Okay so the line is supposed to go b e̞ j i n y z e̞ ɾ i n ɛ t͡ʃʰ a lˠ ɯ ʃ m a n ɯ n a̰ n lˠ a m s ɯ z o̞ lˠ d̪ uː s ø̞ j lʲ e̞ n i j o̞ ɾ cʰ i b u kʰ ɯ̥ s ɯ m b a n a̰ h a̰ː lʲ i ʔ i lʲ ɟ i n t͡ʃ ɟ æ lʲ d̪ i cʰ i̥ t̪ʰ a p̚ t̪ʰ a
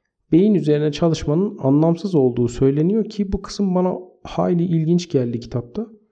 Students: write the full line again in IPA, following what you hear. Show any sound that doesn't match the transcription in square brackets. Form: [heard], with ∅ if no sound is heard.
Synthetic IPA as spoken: b e̞ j i n y z e̞ ɾ i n ɛ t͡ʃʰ a lˠ ɯ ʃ m a n ɯ n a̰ n lˠ a m s ɯ z o̞ lˠ d̪ uː s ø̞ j lʲ e̞ n i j o̞ ɾ cʰ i b u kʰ ɯ̥ s ɯ m b a n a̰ h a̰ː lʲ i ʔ i lʲ ɟ i n t͡ʃ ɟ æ lʲ d̪ i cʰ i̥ t̪ʰ a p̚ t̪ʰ a